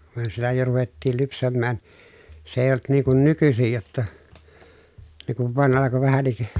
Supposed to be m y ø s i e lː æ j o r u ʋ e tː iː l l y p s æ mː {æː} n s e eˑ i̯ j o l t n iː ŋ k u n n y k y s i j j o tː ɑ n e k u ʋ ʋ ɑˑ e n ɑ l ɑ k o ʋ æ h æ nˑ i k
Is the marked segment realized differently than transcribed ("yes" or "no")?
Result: no